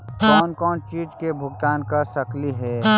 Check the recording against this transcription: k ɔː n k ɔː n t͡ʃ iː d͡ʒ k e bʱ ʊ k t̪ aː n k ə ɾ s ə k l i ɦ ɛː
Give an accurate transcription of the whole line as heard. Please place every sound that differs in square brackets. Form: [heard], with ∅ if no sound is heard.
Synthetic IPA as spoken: k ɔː n k ɔː n t͡ʃ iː d͡ʒ k e bʱ ʊ [ɡ] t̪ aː n k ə ɾ s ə k l i ɦ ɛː